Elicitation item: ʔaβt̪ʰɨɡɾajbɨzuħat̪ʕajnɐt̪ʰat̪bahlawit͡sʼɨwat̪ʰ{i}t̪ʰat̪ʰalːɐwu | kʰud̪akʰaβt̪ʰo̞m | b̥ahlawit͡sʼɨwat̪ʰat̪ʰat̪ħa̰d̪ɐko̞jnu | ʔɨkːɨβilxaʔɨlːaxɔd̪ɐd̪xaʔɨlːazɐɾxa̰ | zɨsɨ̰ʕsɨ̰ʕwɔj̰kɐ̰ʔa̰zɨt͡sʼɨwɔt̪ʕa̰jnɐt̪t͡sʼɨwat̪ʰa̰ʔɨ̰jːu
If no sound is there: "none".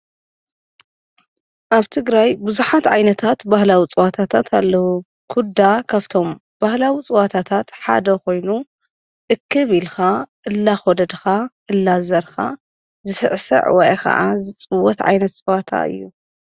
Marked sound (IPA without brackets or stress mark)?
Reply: a